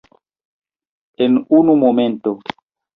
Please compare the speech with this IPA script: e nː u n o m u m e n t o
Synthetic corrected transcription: e n u n u m o m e n t o